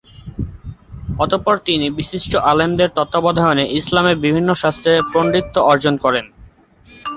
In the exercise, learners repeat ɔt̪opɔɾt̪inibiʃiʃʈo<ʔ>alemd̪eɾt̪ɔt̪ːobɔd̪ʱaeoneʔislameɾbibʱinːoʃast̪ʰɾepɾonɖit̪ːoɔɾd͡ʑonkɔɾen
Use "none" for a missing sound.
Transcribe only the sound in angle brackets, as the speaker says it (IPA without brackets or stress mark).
ʔ